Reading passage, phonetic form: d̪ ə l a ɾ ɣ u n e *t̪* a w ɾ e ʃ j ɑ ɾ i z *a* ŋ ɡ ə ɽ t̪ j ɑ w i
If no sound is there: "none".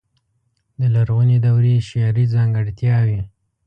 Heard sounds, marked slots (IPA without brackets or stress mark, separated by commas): d̪, ɑ